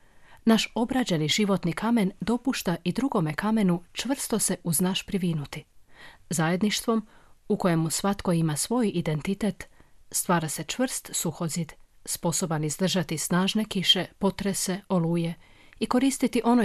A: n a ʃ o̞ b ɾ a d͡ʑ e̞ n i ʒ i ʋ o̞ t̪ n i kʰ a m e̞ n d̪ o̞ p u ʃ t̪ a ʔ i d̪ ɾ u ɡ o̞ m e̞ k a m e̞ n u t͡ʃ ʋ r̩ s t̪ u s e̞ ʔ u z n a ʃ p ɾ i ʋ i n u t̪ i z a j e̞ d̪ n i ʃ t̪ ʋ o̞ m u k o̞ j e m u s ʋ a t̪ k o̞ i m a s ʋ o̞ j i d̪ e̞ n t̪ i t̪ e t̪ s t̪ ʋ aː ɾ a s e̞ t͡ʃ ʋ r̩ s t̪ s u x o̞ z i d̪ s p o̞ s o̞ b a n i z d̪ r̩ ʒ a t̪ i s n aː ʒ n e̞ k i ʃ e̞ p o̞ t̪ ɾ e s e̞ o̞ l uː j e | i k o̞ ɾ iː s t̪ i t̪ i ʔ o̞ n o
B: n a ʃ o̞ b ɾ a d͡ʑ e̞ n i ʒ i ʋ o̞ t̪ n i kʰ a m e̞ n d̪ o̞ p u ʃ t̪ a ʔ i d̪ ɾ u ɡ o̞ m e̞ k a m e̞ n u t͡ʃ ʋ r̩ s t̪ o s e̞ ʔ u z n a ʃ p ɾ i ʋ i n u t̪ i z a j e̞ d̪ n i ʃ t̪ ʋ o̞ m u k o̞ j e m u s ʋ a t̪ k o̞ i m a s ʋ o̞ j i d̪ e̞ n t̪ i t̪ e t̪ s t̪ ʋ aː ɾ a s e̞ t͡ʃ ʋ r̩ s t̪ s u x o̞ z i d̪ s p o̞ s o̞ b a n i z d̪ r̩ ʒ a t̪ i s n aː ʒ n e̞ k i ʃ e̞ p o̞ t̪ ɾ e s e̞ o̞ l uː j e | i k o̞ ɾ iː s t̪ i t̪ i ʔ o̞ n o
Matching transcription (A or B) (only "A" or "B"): B